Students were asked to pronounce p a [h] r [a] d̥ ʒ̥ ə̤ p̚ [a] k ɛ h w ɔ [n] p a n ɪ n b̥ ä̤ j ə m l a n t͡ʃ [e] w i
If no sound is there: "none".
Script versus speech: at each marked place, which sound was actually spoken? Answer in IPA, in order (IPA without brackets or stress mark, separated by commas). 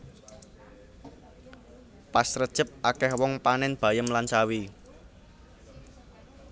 s, ə, a, ŋ, a